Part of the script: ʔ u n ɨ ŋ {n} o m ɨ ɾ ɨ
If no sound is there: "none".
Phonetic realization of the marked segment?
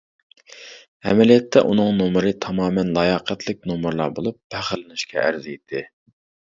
n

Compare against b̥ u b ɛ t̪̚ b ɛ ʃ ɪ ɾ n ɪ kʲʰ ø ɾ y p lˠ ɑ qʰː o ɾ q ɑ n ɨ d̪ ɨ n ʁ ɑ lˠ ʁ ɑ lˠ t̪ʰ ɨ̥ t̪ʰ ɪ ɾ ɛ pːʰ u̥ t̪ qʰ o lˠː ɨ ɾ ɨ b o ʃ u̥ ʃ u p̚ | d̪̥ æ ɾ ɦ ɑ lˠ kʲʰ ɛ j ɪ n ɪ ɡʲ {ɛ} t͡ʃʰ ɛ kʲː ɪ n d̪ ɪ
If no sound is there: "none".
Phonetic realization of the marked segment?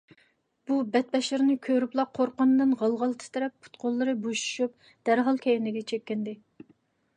ɛ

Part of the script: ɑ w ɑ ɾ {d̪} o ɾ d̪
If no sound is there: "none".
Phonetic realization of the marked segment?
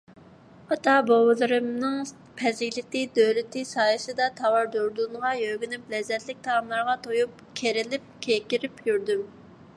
d̪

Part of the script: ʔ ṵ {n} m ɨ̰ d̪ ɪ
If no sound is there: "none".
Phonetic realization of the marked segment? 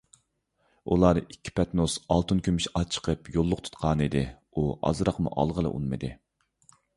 n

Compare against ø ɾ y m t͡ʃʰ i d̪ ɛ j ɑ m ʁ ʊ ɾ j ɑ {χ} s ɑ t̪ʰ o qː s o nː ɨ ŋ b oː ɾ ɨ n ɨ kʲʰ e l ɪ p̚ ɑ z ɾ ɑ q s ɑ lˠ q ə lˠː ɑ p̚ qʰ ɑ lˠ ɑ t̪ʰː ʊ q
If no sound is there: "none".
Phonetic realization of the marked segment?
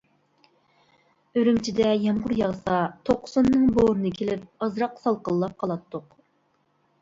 ʁ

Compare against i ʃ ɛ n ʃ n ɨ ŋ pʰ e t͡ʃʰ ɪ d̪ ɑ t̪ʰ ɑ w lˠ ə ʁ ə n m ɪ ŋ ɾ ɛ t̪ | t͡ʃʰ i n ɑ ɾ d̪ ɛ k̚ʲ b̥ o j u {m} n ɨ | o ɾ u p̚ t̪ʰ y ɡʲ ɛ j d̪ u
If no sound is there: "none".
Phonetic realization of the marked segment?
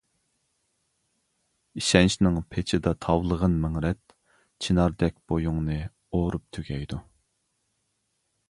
ŋ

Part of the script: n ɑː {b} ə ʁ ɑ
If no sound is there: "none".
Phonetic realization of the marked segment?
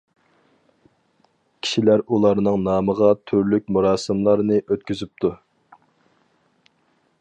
m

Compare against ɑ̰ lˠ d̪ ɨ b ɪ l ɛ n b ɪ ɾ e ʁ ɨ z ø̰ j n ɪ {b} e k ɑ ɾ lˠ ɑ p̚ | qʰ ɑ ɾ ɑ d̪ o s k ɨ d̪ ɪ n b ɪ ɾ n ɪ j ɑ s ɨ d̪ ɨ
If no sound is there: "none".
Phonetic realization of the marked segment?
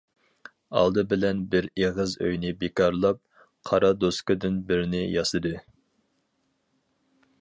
b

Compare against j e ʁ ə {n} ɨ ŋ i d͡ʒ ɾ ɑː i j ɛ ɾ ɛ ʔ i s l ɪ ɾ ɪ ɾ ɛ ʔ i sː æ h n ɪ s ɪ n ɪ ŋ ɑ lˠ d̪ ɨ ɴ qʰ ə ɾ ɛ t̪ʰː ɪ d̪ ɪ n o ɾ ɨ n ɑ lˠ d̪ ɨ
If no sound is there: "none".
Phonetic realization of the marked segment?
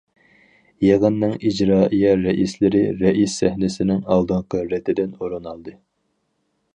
nː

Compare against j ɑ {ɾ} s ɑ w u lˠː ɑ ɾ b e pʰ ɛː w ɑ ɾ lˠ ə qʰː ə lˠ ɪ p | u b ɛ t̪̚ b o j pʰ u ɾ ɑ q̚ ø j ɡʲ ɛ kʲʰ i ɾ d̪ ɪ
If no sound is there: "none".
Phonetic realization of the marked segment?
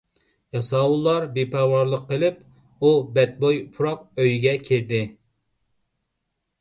none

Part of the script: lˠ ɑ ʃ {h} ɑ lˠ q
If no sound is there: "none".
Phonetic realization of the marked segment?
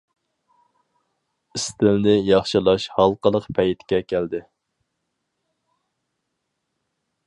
h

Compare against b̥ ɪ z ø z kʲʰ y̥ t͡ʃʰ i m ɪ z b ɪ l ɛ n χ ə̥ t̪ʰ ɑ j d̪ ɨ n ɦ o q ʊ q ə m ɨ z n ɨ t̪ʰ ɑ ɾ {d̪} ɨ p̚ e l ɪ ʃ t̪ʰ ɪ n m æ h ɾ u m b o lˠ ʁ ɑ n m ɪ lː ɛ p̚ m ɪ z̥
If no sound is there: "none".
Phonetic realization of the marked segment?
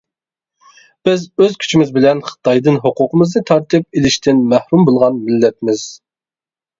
t̪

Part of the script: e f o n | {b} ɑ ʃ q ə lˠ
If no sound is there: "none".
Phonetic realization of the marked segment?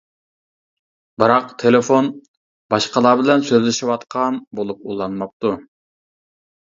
b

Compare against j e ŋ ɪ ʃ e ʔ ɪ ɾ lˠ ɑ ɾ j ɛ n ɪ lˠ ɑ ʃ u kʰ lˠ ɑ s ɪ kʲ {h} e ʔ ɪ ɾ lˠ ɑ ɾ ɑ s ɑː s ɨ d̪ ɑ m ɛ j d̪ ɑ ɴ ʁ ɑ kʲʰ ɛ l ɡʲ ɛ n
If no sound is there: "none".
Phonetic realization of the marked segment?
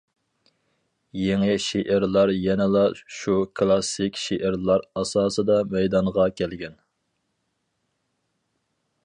ʃ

